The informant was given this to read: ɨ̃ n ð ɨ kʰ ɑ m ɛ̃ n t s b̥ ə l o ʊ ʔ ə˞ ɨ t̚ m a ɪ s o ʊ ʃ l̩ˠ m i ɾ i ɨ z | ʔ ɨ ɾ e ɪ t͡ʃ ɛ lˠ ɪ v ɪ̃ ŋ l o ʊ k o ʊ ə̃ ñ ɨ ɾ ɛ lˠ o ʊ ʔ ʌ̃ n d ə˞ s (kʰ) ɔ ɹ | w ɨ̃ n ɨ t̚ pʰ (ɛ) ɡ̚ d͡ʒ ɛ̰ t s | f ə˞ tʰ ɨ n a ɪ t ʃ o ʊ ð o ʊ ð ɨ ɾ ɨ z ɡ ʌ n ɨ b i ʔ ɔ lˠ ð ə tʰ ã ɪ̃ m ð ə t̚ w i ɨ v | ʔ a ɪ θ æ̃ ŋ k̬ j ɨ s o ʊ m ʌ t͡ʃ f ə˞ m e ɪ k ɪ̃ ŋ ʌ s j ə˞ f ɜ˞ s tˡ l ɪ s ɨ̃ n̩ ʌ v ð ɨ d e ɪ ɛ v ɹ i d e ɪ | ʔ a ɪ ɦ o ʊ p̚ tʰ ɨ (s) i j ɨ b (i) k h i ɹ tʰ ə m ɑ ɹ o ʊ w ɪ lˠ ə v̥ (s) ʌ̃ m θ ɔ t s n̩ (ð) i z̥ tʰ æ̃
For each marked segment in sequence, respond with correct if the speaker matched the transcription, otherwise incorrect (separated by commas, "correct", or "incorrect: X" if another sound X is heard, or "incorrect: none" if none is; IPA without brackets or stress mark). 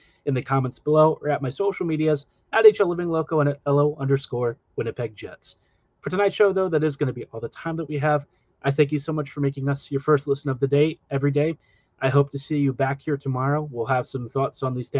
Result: incorrect: k, correct, correct, incorrect: æ, correct, correct